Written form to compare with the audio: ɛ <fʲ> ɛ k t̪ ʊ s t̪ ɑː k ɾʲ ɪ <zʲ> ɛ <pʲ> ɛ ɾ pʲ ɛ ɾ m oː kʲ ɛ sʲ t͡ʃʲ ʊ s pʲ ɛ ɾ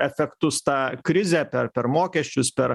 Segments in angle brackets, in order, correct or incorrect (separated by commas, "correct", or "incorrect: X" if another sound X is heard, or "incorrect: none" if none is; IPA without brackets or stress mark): correct, correct, correct